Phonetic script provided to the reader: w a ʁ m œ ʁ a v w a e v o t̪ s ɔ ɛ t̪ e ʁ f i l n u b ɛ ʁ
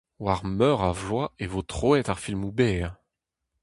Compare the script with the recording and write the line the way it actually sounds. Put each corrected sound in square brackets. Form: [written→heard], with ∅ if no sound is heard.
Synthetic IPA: w a ʁ m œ ʁ a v w a e v o t̪ [s→χ] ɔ ɛ t̪ [e→a] ʁ f i l [n→m] u b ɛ ʁ

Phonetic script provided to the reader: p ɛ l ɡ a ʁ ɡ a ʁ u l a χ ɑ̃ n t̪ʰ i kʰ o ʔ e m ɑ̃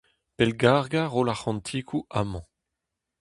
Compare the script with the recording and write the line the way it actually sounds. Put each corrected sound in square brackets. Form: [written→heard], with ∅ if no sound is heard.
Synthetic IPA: p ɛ l ɡ a ʁ ɡ a ʁ [u→o] l a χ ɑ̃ n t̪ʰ i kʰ [o→u] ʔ [e→a] m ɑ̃

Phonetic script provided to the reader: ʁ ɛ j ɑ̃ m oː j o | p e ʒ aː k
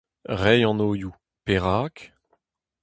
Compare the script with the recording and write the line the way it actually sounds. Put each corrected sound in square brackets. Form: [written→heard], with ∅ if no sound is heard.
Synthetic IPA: ʁ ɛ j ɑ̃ [m→n] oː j [o→u] | p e [ʒ→ʁ] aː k

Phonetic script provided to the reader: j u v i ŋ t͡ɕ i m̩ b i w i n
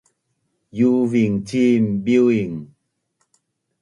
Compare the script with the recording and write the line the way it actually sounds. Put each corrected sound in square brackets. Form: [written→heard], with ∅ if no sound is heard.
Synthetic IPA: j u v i ŋ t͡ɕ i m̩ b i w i [n→ŋ]

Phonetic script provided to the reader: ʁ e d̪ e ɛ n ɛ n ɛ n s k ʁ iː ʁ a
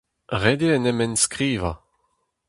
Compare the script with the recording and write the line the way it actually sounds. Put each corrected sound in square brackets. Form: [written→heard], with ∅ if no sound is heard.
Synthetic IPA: ʁ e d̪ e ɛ n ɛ [n→m] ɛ n s k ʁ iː [ʁ→v] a

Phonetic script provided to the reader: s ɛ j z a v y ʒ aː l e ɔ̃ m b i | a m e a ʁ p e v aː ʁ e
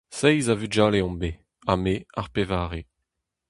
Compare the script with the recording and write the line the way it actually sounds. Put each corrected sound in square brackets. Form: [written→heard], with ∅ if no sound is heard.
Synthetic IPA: s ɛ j z a v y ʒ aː l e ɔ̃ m b [i→e] | a m e a ʁ p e v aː ʁ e

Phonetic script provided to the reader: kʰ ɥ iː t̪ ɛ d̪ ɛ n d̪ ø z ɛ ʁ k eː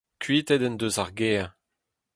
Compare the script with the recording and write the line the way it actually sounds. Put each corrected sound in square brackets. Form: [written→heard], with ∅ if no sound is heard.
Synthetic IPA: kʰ ɥ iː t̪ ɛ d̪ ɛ n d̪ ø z [ɛ→a] ʁ [k→ɡ] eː

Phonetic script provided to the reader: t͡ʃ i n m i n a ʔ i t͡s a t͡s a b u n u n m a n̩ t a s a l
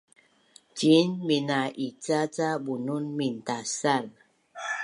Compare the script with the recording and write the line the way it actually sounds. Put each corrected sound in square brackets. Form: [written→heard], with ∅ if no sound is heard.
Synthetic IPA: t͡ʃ i n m i n a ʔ i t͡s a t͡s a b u n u n m [a→i] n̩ t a s a l

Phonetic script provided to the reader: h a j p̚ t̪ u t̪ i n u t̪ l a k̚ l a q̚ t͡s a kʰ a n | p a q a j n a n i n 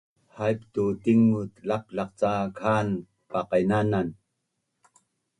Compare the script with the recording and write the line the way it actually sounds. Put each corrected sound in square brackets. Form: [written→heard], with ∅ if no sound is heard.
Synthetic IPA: h a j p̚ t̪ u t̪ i [n→ŋ] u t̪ l a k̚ l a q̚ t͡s a kʰ a n | p a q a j n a n [i→a] n

